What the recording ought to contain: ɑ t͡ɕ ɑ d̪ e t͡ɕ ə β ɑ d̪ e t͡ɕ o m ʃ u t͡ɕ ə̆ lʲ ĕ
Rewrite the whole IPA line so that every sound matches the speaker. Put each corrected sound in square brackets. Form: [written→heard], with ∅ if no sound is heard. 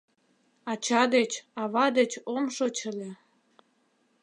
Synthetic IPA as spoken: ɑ t͡ɕ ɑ d̪ e t͡ɕ [ə→ɑ] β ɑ d̪ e t͡ɕ o m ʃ [u→o] t͡ɕ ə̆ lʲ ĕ